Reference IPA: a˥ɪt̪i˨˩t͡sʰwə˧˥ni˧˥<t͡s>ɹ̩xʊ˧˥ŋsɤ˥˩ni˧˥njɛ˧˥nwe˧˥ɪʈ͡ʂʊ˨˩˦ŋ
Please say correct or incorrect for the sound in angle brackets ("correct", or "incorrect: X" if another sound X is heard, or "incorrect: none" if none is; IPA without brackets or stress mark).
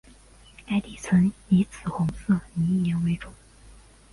incorrect: t͡sʰ